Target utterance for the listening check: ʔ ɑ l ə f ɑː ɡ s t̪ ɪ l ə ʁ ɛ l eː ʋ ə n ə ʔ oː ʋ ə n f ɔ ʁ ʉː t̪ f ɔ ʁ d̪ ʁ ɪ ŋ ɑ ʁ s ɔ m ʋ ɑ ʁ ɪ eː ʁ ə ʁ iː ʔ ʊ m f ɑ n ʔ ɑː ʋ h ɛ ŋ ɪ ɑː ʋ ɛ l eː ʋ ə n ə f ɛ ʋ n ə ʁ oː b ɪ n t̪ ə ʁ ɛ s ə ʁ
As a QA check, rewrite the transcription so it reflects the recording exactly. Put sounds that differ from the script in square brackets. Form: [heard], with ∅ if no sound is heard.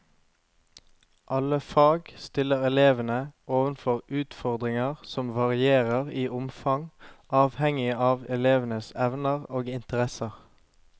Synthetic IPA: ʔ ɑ l ə f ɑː ɡ s t̪ ɪ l ə ʁ ɛ l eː ʋ ə n ə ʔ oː ʋ ə n f ɔ ʁ ʉː t̪ f ɔ ʁ d̪ ʁ ɪ ŋ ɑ ʁ s ɔ m ʋ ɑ ʁ ɪ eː ʁ ə ʁ iː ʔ ʊ m f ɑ [ŋ] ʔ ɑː ʋ h ɛ ŋ ɪ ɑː ʋ ɛ l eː ʋ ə n ə [s] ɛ ʋ n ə ʁ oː [ɡ] ɪ n t̪ ə ʁ ɛ s ə ʁ